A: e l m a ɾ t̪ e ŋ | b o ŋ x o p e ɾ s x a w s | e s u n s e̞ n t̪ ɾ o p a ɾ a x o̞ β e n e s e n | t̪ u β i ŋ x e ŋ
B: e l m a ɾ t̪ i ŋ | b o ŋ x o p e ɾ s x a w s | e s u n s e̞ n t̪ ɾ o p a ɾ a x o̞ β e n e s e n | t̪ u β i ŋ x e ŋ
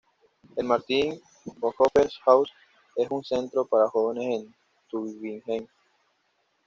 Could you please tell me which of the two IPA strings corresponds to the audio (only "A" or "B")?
B